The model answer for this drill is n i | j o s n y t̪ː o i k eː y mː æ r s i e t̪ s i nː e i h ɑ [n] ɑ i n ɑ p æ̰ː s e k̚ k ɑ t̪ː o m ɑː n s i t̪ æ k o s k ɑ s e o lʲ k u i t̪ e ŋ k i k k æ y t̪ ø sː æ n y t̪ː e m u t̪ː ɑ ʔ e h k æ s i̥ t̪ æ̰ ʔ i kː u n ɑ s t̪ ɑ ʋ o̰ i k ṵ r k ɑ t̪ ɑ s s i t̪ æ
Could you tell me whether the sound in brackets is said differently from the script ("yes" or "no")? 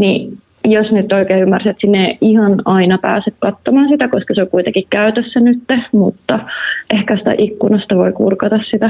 no